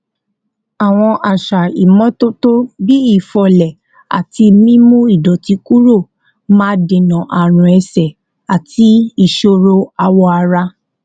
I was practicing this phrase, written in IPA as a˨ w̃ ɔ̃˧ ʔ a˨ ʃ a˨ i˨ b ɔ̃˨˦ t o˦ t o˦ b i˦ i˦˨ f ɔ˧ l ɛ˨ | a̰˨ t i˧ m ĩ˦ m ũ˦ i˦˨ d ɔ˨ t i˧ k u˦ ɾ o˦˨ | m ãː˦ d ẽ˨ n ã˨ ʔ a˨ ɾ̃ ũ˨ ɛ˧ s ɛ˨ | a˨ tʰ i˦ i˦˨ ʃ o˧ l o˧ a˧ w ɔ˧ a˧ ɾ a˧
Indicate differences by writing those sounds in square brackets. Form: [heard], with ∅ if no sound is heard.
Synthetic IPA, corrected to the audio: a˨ w̃ ɔ̃˧ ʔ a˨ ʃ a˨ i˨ [m] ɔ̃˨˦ t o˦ t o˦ b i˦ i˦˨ f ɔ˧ l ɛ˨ | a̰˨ t i˧ m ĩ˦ m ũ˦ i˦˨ d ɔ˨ t i˧ k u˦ ɾ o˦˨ | m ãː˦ d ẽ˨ n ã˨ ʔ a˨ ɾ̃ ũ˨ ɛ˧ s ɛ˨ | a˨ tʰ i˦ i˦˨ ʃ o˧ [ɾ] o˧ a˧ w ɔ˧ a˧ ɾ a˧